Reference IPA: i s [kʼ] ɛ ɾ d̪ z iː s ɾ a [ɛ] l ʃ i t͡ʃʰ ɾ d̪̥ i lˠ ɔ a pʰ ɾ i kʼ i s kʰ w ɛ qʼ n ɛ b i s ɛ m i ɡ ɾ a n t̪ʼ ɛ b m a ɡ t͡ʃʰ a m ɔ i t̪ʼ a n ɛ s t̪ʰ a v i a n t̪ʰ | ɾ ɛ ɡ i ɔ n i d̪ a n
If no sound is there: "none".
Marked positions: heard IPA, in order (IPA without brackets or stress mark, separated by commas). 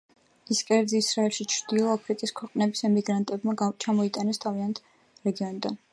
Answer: kʼ, ɛ